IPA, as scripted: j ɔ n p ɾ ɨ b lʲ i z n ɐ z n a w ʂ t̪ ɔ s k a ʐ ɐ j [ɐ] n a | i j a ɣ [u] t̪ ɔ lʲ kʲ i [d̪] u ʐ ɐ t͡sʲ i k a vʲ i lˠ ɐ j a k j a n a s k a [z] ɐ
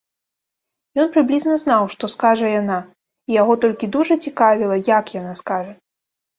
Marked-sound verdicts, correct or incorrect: incorrect, incorrect, correct, incorrect

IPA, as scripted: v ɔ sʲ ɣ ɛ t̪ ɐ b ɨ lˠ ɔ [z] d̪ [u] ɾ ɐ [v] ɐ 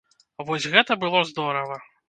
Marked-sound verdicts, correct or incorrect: correct, incorrect, correct

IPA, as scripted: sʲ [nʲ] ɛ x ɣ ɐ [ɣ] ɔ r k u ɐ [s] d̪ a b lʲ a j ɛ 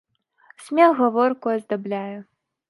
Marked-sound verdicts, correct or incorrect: incorrect, incorrect, incorrect

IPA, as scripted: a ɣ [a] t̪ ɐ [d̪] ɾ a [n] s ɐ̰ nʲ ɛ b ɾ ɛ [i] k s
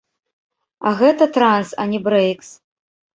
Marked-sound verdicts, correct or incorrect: incorrect, incorrect, correct, incorrect

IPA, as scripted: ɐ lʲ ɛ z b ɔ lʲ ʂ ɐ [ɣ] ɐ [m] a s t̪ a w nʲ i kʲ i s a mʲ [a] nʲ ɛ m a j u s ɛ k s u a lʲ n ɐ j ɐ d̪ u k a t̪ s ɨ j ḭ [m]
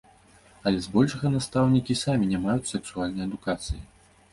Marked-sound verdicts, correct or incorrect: correct, incorrect, incorrect, incorrect

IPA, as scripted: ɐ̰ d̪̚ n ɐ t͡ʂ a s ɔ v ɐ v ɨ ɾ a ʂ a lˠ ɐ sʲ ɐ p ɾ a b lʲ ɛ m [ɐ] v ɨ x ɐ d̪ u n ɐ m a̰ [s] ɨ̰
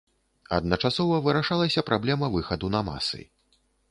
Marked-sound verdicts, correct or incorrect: correct, correct

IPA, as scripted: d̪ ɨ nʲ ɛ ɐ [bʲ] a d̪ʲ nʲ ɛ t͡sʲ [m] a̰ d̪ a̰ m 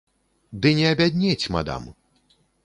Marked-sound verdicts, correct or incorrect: correct, correct

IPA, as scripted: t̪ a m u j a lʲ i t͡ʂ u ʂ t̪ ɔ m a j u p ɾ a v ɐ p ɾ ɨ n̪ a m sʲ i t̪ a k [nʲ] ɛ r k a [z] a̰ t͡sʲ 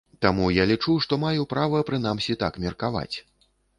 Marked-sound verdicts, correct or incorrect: incorrect, incorrect

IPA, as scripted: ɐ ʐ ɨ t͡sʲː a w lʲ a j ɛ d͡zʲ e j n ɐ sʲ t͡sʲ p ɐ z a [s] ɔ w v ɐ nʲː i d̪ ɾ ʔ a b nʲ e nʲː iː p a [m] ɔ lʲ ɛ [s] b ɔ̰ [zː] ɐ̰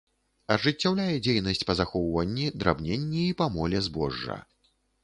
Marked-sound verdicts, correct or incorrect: incorrect, correct, incorrect, incorrect

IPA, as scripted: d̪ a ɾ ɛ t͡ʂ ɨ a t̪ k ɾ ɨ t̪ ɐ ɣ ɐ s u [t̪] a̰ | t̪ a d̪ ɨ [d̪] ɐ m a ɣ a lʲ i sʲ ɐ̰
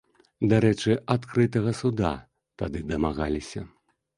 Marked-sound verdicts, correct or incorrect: incorrect, correct

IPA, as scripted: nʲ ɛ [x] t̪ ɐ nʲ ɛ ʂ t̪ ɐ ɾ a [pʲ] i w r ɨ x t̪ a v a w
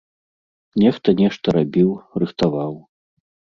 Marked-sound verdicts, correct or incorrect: correct, incorrect

